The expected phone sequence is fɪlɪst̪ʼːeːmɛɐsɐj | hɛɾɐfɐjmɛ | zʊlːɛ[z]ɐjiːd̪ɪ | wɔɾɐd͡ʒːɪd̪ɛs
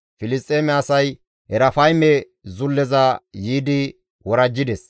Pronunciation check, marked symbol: correct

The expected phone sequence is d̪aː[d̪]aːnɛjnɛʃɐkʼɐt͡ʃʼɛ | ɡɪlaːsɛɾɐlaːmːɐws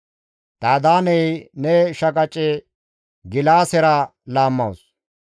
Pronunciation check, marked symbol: correct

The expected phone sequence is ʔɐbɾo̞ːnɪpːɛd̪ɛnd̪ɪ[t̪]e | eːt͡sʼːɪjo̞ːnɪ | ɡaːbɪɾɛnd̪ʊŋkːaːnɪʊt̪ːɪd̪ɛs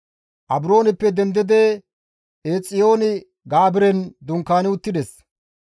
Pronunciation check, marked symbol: incorrect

